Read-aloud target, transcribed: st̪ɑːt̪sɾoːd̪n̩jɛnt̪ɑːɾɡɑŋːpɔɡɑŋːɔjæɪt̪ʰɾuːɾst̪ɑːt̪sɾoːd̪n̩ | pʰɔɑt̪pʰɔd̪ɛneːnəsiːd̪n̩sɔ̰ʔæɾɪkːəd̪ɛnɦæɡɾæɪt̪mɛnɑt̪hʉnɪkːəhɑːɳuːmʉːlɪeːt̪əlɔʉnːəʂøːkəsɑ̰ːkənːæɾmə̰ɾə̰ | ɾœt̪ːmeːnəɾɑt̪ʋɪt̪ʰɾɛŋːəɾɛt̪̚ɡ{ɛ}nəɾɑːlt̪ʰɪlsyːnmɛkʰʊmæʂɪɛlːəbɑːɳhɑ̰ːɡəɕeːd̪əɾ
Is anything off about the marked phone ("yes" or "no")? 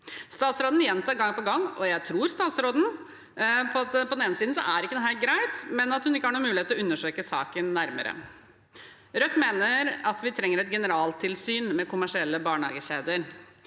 no